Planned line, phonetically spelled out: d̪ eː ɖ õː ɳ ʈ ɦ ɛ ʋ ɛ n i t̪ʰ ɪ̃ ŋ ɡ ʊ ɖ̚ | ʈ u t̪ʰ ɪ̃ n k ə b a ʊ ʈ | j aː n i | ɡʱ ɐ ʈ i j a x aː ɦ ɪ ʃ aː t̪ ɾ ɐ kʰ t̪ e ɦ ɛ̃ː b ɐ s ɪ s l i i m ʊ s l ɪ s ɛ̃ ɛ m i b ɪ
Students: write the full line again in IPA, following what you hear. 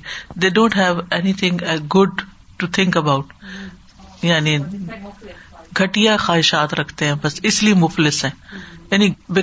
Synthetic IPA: d̪ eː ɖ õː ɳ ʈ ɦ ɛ ʋ ɛ n i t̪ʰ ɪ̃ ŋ ɡ ʊ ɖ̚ | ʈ u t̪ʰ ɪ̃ ŋ k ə b a ʊ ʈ | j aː n i | ɡʱ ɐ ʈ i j a x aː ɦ ɪ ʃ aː t̪ ɾ ɐ kʰ t̪ e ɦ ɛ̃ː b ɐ s ɪ s l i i m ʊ f l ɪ s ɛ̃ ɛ n i b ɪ